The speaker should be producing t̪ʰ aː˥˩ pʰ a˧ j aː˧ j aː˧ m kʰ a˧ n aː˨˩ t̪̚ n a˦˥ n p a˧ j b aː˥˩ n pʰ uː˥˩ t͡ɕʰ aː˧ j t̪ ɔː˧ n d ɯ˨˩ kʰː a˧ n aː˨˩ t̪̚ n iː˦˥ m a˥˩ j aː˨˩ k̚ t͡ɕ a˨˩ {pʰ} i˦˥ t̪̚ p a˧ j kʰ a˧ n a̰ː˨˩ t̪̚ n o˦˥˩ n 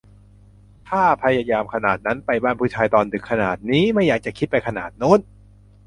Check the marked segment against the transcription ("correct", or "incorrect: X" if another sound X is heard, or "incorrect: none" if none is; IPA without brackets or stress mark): incorrect: kʰ